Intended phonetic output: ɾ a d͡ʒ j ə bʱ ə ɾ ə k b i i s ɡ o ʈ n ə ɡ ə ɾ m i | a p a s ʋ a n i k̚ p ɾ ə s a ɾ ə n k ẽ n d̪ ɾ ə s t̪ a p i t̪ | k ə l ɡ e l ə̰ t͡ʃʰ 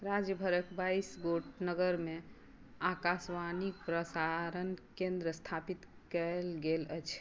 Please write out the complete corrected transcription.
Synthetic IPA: ɾ a d͡ʒ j ə bʱ ə ɾ ə k b a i s ɡ o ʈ n ə ɡ ə ɾ m e | a k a s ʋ a n i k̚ p ɾ ə s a ɾ ə n k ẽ n d̪ ɾ ə s t̪ʰ a p i t̪ | k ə l ɡ e l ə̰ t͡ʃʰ